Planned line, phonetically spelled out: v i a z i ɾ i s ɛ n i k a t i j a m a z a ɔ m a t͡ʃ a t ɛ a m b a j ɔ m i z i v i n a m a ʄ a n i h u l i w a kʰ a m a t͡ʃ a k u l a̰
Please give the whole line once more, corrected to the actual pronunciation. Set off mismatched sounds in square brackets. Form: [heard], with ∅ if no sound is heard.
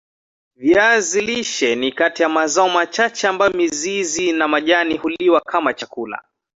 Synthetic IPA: v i a z i [l] i [ʃ] ɛ n i k a t i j a m a z a ɔ m a t͡ʃ a [t͡ʃ] ɛ a m b a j ɔ m i z i [z] i n a m a ʄ a n i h u l i w a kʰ a m a t͡ʃ a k u l a̰